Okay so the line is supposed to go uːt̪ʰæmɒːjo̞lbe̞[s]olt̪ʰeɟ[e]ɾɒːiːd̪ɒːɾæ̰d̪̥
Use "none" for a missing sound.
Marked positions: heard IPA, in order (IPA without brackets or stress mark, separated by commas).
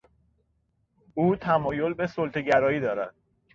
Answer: s, æ